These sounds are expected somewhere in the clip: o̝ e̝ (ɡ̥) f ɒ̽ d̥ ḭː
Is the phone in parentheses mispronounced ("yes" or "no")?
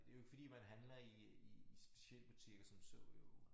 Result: no